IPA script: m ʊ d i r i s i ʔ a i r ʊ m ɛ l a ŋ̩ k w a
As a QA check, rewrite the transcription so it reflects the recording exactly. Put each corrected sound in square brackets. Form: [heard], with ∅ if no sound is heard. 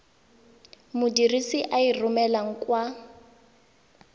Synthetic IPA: m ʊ d i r i s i ʔ a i r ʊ m ɛ l a ŋ̩ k w a

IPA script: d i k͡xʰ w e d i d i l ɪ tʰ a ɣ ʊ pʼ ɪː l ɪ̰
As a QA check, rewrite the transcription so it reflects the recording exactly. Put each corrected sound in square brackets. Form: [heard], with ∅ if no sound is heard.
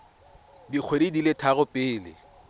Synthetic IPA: d i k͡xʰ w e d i d i l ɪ tʰ a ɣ ʊ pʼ ɪː l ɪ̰

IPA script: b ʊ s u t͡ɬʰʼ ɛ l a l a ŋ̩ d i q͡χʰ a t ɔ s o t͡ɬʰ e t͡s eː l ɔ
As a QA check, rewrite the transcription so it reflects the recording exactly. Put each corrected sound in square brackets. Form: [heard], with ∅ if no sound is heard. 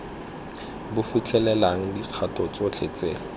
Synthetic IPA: b ʊ [f] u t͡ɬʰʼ ɛ l [ɛ] l a ŋ̩ d i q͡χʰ a t ɔ [t͡s] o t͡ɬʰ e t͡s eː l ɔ

